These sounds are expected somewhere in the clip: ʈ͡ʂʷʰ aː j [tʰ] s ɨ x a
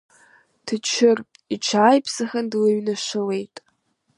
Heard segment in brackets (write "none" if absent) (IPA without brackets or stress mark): pʰ